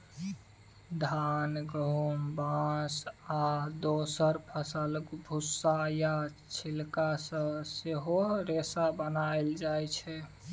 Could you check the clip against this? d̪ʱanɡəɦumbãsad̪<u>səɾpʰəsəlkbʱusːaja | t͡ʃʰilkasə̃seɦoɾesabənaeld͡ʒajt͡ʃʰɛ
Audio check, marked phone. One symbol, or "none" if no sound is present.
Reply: o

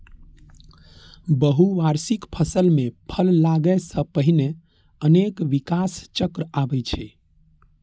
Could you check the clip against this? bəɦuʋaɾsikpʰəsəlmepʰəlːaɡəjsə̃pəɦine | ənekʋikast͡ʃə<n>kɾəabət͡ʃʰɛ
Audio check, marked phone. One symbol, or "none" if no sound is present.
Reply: none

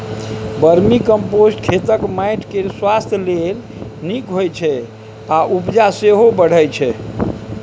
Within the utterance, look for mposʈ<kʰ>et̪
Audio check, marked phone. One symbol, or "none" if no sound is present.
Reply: kʰ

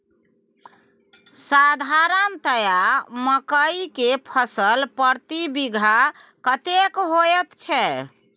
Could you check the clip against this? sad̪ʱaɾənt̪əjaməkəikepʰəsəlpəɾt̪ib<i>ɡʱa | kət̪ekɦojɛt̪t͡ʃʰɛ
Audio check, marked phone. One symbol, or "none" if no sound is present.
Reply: i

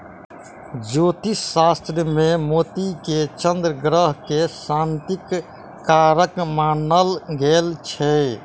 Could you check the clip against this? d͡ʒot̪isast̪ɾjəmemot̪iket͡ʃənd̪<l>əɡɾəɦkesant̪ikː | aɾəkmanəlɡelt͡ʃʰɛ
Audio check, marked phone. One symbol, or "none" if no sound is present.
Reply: ɾ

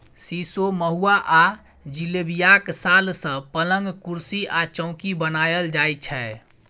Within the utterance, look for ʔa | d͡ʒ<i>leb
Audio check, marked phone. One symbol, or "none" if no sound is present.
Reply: i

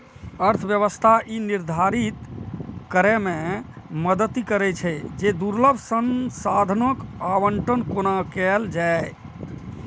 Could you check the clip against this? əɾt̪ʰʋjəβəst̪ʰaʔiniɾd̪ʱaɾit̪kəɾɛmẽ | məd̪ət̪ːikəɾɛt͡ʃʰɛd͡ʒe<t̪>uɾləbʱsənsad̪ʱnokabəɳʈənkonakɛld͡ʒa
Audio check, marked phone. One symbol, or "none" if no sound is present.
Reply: d̪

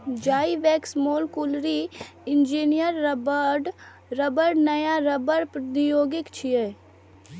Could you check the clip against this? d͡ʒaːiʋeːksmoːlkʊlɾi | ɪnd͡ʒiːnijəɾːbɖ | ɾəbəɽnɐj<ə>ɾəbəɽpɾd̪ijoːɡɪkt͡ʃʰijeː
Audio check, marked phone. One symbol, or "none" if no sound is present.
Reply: a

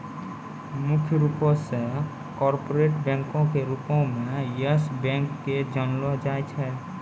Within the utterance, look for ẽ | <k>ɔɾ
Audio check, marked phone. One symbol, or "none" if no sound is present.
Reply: k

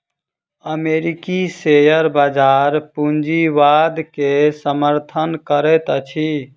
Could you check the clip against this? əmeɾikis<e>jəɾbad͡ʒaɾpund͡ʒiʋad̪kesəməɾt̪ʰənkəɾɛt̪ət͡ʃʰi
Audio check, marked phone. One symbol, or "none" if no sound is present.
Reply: e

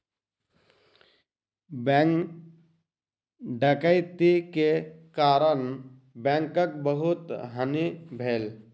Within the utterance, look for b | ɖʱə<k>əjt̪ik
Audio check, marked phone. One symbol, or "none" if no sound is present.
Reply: k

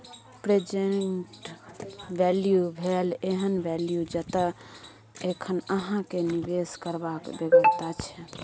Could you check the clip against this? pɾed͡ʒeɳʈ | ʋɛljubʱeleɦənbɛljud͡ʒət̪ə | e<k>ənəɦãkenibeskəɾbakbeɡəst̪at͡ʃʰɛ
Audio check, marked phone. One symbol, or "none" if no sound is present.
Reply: kʰ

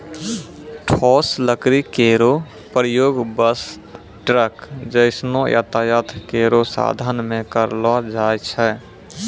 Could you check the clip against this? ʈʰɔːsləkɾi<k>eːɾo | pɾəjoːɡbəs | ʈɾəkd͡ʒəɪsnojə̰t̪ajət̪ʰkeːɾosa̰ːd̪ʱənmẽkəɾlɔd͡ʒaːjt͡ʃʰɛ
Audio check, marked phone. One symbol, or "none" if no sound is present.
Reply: k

